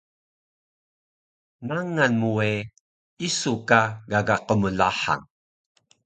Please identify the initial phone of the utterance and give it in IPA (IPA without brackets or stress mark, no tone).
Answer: n